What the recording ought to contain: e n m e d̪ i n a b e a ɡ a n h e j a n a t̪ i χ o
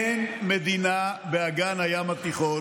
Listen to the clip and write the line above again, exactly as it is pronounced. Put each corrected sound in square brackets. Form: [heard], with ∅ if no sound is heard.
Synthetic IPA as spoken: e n m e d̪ i n a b e a ɡ a n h [a] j a [m] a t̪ i χ o